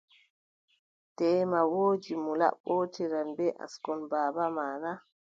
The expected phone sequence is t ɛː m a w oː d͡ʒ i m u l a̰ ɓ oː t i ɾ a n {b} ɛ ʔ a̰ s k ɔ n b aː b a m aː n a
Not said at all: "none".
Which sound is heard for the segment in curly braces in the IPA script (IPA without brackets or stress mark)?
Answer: b